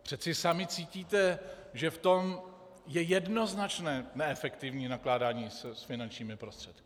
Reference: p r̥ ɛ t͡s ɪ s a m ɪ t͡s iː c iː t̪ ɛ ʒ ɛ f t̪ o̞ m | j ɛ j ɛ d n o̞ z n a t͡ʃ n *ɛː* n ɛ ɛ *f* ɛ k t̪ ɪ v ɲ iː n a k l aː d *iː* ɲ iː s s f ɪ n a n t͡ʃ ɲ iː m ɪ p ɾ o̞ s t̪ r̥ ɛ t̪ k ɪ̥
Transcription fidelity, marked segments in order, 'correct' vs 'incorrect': correct, correct, incorrect

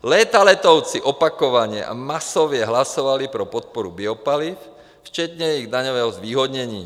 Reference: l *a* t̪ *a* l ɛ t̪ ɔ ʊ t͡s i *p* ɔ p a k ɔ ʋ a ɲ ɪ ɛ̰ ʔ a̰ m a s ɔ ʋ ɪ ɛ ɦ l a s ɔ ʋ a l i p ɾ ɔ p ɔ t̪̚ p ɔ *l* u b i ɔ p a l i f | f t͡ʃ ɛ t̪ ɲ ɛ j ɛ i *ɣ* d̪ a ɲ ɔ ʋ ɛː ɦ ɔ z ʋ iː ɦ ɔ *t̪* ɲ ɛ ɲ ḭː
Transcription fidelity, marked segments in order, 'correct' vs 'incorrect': incorrect, correct, incorrect, incorrect, correct, incorrect

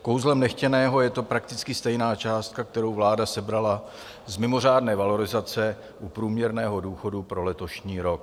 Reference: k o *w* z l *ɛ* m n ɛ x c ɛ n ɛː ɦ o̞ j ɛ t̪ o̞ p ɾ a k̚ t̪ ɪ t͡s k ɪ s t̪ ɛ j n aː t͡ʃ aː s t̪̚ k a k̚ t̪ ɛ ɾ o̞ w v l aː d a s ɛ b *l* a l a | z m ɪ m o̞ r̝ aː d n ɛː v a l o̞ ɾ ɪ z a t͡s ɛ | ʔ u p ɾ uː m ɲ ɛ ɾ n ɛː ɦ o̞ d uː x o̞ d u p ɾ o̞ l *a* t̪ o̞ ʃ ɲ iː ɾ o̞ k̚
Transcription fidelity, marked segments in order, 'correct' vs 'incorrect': correct, correct, incorrect, incorrect

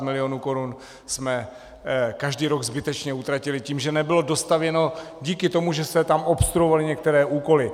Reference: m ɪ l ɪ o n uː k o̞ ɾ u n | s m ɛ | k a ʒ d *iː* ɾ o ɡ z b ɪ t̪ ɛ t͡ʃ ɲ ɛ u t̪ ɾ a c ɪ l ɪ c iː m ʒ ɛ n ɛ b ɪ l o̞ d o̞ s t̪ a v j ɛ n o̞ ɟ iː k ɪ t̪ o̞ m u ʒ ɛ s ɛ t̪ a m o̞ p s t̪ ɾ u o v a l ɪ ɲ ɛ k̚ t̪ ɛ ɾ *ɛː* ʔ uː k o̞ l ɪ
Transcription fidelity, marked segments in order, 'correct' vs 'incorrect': correct, correct

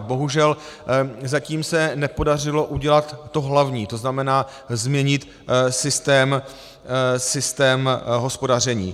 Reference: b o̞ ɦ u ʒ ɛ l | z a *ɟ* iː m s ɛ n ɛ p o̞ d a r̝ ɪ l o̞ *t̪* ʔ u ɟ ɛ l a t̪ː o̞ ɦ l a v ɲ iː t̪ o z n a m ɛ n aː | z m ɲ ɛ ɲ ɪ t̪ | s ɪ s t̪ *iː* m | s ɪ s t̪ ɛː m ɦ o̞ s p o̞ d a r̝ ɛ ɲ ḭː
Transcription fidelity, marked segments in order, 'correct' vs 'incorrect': incorrect, incorrect, incorrect

